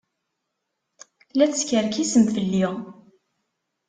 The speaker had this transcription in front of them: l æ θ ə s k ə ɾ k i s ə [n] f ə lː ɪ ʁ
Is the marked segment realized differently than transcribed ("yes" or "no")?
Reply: yes